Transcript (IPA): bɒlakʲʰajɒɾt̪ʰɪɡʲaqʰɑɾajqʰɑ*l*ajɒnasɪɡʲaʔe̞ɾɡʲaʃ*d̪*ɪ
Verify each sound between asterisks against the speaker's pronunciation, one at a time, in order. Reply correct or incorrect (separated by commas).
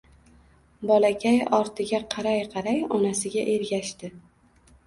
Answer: incorrect, incorrect